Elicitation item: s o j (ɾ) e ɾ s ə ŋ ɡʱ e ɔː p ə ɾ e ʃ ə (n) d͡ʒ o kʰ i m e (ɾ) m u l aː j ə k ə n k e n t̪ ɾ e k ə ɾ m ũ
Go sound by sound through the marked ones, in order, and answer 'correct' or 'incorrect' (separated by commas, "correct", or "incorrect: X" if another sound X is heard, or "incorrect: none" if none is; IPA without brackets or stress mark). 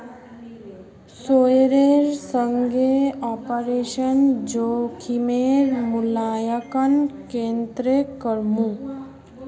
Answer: correct, correct, correct